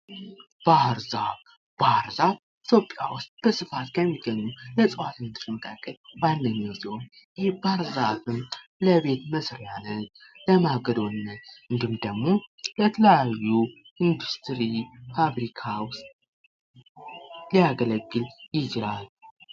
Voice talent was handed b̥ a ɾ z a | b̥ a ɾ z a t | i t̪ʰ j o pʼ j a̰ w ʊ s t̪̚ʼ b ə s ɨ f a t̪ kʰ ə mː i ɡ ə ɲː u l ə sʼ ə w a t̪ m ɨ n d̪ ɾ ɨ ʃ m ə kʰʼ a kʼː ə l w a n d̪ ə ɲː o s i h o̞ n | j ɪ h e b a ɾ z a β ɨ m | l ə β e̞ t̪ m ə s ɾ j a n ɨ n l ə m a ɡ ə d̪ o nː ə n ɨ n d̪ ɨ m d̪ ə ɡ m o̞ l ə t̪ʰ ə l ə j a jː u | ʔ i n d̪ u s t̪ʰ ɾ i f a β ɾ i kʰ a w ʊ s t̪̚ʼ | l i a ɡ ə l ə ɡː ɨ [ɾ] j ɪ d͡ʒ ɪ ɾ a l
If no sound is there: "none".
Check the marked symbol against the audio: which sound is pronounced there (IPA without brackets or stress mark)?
l